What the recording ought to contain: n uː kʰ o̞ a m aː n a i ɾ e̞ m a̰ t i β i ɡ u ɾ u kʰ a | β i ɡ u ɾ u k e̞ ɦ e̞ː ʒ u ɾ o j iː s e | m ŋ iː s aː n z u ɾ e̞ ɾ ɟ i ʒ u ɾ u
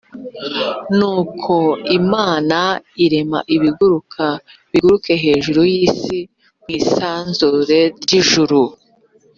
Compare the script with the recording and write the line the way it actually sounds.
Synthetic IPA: n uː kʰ o̞ i m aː n a i ɾ e̞ m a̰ ʔ i β i ɡ u ɾ u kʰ a | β i ɡ u ɾ u k e̞ ɦ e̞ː ʒ u ɾ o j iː s i | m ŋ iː s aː n z u ɾ e̞ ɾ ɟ i ʒ u ɾ u